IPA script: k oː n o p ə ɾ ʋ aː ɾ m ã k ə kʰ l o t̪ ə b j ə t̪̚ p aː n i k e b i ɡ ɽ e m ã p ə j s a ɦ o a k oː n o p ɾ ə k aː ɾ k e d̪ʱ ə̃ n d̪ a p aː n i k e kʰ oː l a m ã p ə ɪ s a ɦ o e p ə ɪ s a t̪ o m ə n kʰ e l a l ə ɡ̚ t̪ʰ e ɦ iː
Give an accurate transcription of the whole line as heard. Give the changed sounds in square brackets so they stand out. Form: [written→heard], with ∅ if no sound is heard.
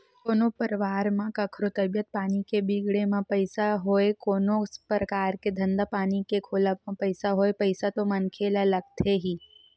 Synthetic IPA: k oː n o p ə ɾ ʋ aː ɾ m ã k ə kʰ [l→ɾ] o t̪ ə b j ə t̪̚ p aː n i k e b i ɡ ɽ e m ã p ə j s a ɦ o [a→e] k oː n o p ɾ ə k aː ɾ k e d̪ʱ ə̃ n d̪ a p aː n i k e kʰ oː l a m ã p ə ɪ s a ɦ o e p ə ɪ s a t̪ o m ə n kʰ e l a l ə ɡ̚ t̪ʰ e ɦ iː